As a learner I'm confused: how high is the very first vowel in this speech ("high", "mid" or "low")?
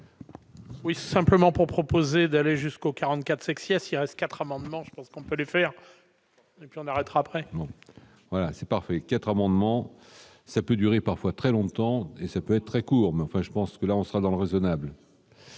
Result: high